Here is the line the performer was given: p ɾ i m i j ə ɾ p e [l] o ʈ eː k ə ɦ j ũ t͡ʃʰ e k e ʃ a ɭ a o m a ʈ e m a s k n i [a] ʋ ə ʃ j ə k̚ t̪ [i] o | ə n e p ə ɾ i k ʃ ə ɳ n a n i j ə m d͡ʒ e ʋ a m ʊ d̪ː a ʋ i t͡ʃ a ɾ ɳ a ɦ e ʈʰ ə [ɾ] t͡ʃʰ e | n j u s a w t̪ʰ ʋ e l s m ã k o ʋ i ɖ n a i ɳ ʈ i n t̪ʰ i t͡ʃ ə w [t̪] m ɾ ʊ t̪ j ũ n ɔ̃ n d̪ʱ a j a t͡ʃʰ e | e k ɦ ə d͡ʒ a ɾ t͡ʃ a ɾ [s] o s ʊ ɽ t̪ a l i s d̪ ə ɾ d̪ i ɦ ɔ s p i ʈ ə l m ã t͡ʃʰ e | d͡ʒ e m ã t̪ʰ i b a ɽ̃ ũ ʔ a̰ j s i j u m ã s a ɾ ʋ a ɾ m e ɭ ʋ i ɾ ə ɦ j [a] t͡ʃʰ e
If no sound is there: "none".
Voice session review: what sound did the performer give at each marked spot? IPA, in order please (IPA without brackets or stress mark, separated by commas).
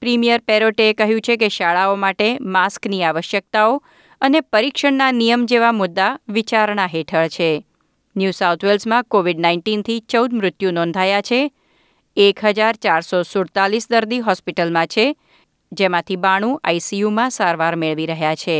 ɾ, a, a, ɭ, d̪, s, a